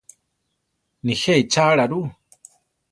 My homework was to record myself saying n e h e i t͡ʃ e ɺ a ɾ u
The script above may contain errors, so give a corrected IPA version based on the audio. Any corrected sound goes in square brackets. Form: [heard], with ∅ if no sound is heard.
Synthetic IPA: n [i] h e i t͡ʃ [a] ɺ a ɾ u